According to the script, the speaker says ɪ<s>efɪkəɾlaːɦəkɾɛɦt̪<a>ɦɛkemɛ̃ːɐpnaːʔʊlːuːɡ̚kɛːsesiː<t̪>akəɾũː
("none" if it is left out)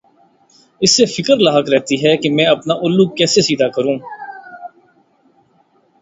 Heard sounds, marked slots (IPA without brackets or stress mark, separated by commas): sː, i, d̪